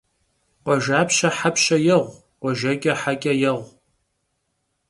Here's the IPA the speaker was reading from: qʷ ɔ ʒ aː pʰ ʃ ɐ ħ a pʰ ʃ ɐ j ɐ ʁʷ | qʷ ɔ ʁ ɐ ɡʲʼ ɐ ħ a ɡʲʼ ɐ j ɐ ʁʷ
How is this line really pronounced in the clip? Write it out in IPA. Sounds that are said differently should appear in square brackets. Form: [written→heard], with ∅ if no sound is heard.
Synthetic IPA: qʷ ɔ ʒ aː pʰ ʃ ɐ ħ a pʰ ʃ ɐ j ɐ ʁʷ | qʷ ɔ [ʁ→ʒ] ɐ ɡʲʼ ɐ ħ a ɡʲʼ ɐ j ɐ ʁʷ